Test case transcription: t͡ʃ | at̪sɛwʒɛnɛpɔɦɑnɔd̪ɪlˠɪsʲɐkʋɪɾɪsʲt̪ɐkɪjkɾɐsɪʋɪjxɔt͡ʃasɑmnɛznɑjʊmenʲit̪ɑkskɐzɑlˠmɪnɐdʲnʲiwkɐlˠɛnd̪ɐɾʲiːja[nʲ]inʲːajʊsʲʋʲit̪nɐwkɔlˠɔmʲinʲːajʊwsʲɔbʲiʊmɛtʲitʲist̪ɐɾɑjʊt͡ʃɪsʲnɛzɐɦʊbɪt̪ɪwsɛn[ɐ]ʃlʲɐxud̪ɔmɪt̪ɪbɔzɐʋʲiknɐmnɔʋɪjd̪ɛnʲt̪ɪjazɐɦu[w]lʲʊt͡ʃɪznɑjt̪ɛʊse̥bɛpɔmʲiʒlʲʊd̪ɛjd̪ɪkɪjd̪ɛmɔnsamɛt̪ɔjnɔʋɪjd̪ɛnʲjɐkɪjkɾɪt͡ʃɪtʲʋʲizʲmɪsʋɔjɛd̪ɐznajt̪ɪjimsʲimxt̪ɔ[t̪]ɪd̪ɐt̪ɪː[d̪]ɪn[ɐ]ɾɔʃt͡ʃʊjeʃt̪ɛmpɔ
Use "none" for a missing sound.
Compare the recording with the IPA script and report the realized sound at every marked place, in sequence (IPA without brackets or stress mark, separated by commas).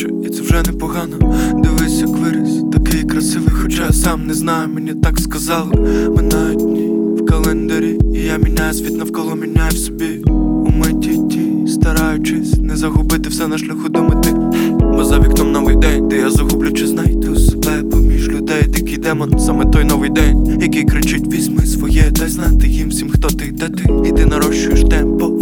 mʲ, ɐ, b, t̪, t̪, ɐ